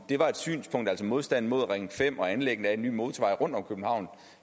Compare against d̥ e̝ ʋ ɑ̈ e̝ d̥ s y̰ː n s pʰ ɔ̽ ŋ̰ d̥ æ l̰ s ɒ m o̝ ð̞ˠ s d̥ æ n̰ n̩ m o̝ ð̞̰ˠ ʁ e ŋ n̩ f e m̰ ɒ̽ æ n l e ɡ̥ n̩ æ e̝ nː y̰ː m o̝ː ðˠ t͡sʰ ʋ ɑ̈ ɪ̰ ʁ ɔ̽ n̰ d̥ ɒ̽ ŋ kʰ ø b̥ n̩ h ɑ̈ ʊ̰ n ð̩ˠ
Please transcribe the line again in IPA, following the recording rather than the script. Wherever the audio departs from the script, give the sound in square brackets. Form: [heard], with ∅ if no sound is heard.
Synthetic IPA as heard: d̥ e̝ ʋ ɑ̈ e̝ d̥ s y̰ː n s pʰ ɔ̽ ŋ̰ d̥ æ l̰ s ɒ m o̝ ð̞ˠ s d̥ æ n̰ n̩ m o̝ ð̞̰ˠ ʁ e ŋ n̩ f e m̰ ɒ̽ æ n l e ɡ̥ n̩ æ e̝ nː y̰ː m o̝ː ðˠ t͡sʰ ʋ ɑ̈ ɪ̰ ʁ ɔ̽ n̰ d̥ ɒ̽ [m] kʰ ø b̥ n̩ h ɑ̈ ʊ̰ n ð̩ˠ

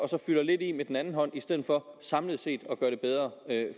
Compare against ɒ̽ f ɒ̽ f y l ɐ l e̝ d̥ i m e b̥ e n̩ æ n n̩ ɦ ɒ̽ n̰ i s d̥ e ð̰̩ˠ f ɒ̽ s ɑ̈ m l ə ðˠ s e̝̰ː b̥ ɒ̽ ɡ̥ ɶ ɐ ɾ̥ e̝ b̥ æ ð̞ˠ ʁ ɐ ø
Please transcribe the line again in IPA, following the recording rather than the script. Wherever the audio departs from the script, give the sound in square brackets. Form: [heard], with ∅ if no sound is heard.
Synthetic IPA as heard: ɒ̽ [s] ɒ̽ f y l ɐ l e̝ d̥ i m e [d̥] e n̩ æ n n̩ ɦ ɒ̽ n̰ i s d̥ e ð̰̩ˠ f ɒ̽ s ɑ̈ m l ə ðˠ s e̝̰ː [d̥] ɒ̽ ɡ̥ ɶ ɐ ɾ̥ e̝ b̥ [e] ð̞ˠ ʁ ɐ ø

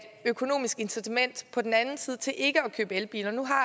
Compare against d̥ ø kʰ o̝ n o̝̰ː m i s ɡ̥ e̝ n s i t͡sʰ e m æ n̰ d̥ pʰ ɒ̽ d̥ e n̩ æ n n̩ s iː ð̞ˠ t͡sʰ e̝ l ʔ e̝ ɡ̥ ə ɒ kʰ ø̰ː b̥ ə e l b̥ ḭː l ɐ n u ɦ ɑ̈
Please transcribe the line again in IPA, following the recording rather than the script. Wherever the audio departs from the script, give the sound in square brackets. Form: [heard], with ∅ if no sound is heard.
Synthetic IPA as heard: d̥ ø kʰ o̝ n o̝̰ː m i s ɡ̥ e̝ n s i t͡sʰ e m [e] n̰ d̥ pʰ ɒ̽ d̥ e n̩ æ n n̩ s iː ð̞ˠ t͡sʰ e̝ l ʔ e̝ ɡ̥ ə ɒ kʰ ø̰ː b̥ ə e l b̥ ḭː l ɐ n u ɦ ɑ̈

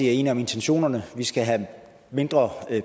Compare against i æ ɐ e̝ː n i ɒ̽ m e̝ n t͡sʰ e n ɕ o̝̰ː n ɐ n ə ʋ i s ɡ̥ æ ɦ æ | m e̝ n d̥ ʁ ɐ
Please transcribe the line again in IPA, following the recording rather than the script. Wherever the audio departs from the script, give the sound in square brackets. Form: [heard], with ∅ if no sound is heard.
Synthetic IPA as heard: i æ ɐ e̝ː n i ɒ̽ m e̝ n t͡sʰ e n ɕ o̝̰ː n ɐ n ə ʋ i s ɡ̥ æ ɦ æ | m e̝ n d̥ ʁ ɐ

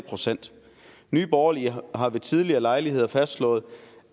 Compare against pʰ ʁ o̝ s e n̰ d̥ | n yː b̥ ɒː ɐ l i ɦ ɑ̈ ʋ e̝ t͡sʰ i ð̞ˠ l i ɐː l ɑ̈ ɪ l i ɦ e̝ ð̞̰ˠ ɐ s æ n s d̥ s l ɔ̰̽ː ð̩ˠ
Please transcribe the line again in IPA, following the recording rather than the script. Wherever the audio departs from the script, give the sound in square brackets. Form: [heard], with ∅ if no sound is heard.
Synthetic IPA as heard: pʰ ʁ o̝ s e n̰ d̥ | n yː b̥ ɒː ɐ l i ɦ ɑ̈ ʋ e̝ t͡sʰ i ð̞ˠ l i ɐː l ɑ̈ ɪ l i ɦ e̝ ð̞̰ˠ ɐ [f] æ [∅] s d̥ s l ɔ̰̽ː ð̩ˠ

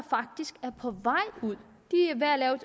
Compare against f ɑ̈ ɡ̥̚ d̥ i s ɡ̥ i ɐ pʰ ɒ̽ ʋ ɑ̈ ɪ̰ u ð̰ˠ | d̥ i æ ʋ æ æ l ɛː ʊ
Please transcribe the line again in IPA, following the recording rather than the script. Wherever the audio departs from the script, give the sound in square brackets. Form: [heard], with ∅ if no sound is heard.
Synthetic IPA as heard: f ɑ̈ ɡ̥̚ d̥ i s ɡ̥ [æ] ɐ pʰ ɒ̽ ʋ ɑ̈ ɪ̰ u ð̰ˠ | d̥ i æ ʋ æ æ l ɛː ʊ

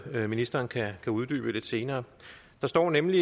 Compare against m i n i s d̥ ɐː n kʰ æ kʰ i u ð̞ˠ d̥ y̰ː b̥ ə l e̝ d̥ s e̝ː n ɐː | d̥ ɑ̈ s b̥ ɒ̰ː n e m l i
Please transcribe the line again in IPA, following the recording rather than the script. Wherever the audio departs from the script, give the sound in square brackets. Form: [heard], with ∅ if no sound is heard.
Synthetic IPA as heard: m i n i s d̥ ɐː n kʰ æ kʰ [æ] u ð̞ˠ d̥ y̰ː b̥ ə l e̝ d̥ s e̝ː n ɐː | d̥ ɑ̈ s [d̥] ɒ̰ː n e m l i

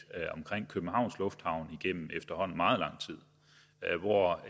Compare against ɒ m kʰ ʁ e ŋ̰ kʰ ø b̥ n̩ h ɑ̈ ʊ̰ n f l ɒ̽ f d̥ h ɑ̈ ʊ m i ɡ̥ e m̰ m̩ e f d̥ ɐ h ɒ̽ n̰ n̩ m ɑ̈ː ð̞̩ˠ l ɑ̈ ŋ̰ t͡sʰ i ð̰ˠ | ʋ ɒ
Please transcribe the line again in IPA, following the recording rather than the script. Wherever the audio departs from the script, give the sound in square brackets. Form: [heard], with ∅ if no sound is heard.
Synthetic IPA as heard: ɒ m kʰ ʁ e ŋ̰ kʰ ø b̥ n̩ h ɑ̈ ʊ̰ n [s] l [ɔ̽] f d̥ h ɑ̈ ʊ [n] i ɡ̥ e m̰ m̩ e f d̥ ɐ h ɒ̽ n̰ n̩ m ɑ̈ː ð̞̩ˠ l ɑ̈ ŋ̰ t͡sʰ i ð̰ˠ | ʋ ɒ

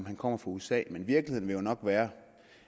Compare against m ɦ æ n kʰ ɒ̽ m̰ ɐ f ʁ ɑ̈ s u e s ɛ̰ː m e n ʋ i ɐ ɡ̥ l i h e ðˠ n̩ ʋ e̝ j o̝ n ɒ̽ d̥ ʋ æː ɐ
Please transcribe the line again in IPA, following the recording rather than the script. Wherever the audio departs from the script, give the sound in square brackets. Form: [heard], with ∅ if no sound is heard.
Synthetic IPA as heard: m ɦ æ n kʰ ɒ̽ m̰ ɐ f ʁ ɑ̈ [∅] u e s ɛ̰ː m e n ʋ i ɐ ɡ̥ l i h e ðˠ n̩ ʋ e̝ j o̝ n ɒ̽ [ɡ̥] ʋ æː ɐ

